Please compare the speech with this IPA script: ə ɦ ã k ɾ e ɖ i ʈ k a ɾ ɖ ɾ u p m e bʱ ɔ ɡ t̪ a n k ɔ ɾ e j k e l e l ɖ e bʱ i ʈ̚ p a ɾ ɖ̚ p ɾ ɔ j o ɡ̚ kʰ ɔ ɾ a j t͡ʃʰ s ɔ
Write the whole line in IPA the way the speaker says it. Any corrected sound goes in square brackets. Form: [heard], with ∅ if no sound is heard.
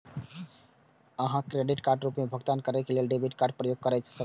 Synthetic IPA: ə ɦ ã k ɾ e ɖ i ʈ k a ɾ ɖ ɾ u p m e bʱ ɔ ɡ t̪ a n k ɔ ɾ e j k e l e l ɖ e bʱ i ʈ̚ [k] a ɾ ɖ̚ p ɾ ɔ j o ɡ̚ [k] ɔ ɾ a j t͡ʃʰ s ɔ